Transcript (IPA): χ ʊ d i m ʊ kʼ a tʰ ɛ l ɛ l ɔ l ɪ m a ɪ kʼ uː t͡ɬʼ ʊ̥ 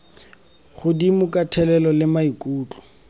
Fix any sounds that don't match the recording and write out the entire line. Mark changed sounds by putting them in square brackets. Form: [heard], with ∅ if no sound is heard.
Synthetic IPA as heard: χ ʊ d i m ʊ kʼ a tʰ ɛ l ɛ l ɔ l ɪ m a [i] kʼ uː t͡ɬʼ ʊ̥